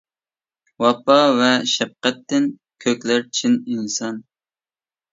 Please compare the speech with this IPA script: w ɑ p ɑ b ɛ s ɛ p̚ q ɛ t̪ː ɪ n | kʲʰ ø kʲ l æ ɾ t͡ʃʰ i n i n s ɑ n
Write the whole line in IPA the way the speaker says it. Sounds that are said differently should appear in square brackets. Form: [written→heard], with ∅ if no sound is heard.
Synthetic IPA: w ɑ p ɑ [b→v] ɛ [s→ʃ] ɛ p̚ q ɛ t̪ː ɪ n | kʲʰ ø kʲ l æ ɾ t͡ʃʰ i n i n s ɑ n